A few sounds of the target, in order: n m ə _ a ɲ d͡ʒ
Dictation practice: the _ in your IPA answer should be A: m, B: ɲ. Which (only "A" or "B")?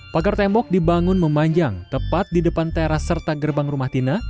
A